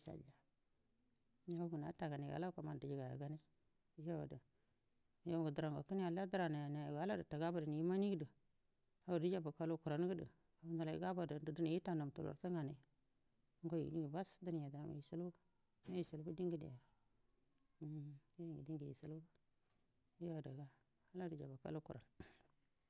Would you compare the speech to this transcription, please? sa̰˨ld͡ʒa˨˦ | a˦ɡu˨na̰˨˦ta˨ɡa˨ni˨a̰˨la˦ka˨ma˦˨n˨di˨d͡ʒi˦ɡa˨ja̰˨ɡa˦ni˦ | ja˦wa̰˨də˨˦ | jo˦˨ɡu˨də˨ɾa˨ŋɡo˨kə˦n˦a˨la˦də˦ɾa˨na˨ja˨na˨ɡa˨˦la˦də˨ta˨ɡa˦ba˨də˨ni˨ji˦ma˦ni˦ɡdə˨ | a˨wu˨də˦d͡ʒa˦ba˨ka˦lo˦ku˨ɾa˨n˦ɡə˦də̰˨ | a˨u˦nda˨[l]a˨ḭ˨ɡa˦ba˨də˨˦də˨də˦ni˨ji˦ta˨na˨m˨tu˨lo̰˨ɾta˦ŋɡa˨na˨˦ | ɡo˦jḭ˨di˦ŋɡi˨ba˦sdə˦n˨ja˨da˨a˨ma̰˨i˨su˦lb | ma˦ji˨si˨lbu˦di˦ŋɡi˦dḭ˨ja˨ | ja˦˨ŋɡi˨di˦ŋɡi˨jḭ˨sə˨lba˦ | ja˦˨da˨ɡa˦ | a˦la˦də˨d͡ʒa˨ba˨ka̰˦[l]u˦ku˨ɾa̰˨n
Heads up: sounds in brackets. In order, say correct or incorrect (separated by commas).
correct, correct